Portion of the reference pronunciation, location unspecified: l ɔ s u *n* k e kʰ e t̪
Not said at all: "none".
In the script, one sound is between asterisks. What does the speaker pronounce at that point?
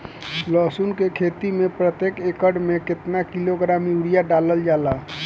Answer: n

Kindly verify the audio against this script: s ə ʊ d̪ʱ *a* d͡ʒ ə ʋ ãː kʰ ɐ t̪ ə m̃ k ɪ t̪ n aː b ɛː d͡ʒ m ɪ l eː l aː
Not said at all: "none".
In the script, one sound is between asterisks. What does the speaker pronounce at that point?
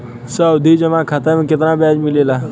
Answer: i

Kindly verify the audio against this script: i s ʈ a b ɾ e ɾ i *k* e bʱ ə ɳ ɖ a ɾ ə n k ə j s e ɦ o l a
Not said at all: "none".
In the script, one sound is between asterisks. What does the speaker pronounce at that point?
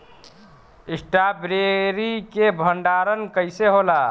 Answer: k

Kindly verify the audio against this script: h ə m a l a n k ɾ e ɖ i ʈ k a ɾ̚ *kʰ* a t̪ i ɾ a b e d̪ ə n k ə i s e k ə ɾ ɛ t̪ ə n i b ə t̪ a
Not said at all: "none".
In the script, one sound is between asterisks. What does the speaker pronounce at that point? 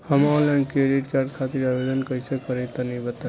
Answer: kʰ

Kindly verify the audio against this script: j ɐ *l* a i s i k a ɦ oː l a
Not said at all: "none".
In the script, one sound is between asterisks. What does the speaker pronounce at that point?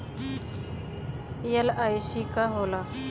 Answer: l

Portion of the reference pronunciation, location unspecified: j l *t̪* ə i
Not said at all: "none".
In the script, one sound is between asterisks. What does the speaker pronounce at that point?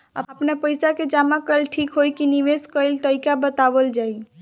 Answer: t̪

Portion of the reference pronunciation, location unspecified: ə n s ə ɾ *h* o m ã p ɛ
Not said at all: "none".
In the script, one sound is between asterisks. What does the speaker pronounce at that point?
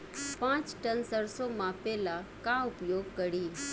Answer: s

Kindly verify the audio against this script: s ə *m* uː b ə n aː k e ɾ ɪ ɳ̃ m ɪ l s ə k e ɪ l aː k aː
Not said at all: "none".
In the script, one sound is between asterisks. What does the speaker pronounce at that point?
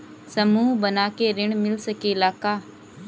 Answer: m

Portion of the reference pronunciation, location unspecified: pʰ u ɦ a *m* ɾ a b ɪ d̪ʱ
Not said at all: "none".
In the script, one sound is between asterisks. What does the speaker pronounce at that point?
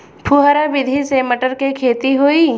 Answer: none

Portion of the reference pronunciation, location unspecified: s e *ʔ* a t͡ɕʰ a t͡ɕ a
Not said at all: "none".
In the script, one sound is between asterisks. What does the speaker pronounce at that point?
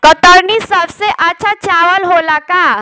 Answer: ʔ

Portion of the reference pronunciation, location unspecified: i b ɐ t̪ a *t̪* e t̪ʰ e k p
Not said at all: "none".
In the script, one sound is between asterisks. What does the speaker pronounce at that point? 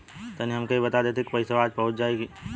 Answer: d̪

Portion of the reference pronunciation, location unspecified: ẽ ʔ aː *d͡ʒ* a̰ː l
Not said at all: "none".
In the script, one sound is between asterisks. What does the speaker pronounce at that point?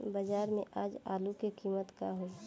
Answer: d͡ʒ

